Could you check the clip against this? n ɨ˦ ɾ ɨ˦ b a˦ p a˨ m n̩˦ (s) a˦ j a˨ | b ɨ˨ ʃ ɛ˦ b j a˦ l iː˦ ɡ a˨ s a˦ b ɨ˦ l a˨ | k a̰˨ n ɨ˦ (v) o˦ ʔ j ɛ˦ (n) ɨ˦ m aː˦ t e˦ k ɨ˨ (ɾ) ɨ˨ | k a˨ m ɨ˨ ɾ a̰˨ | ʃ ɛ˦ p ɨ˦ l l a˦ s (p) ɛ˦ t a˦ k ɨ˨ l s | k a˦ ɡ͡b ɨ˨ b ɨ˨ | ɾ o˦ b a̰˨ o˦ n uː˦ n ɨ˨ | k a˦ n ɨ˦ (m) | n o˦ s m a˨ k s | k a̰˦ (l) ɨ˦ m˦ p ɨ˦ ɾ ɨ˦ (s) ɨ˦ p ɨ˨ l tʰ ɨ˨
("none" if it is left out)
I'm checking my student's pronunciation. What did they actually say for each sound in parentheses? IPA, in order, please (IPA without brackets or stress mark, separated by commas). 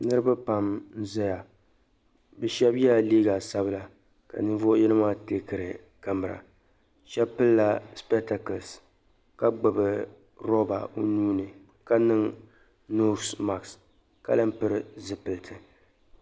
z, v, n, ɾ, p, ŋ, l, z